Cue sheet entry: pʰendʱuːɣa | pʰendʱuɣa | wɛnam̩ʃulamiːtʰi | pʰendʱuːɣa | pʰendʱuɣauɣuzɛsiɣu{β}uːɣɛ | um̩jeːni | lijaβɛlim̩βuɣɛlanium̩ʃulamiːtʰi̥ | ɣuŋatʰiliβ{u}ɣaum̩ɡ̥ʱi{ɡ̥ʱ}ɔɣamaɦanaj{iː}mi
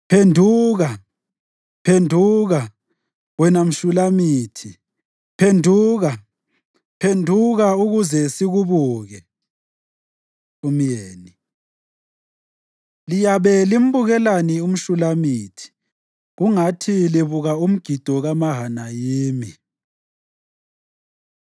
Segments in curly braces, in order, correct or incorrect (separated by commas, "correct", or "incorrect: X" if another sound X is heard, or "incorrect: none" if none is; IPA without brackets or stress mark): correct, correct, incorrect: d̥ʱ, correct